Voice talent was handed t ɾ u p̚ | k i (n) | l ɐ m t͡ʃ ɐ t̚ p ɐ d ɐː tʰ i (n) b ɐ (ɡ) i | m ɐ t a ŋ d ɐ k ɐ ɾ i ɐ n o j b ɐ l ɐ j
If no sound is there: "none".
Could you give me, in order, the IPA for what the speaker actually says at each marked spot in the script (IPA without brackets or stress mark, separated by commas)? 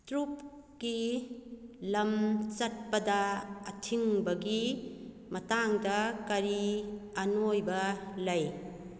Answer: none, ŋ, ɡ